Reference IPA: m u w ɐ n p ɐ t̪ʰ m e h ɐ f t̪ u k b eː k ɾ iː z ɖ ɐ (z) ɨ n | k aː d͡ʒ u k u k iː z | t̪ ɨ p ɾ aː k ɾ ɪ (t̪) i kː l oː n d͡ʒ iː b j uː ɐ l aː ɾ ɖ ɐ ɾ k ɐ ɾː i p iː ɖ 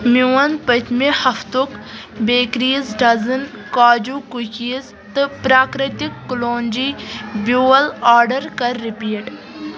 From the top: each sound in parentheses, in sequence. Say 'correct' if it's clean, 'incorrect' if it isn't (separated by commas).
correct, correct